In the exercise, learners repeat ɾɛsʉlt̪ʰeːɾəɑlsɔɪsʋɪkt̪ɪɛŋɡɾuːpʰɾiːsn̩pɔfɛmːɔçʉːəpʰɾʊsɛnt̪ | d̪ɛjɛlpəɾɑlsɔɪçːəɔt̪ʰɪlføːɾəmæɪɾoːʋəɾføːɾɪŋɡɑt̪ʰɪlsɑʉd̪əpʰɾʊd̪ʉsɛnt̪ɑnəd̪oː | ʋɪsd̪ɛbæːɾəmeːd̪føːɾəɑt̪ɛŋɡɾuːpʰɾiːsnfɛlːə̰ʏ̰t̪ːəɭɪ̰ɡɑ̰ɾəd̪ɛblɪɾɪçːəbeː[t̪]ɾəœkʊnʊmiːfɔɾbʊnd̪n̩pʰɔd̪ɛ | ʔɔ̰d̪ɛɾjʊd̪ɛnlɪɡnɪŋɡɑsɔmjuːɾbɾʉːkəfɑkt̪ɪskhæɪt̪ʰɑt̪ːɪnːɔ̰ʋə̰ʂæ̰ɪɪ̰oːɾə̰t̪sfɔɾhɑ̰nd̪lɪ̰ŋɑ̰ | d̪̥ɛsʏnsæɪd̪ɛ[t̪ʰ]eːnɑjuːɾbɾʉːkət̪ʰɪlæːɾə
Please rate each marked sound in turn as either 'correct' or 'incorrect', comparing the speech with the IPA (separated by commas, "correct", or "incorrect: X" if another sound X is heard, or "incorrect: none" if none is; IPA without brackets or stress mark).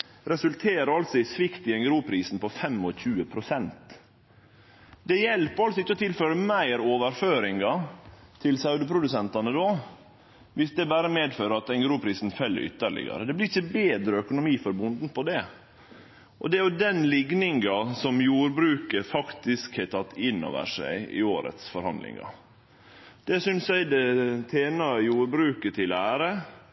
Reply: incorrect: d̪, correct